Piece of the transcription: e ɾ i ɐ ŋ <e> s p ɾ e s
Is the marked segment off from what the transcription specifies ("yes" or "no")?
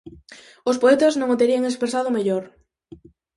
no